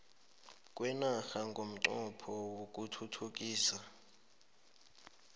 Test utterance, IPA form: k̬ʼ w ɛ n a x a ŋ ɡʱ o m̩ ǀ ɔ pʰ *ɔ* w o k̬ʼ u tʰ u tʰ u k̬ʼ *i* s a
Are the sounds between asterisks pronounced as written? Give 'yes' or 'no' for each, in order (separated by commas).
yes, no